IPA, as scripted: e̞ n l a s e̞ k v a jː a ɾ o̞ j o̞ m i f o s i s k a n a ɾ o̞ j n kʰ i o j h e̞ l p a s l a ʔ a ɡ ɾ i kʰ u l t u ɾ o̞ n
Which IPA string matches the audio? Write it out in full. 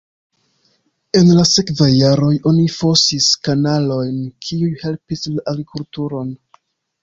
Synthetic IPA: e̞ n l a s e̞ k v a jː a ɾ o̞ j o̞ n i f o s i s k a n a l o̞ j n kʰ i u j h e̞ l p i s l a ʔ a ɡ ɾ i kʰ u l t u ɾ o̞ n